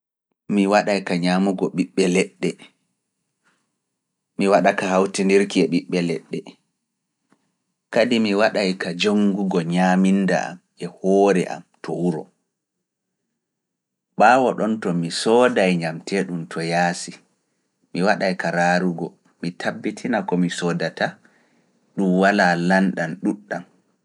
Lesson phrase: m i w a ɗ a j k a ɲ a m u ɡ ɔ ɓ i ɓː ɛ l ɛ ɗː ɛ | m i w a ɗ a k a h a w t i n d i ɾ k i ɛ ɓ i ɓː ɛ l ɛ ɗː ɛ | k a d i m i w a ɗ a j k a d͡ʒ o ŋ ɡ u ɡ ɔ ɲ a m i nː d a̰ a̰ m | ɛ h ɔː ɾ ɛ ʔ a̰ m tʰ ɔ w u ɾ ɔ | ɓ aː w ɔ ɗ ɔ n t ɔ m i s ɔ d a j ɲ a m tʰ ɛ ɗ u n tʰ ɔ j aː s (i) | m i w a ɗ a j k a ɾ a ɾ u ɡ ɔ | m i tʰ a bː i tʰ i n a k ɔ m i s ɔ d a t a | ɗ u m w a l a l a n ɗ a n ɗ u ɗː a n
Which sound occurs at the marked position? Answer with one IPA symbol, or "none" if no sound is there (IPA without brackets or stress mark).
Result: i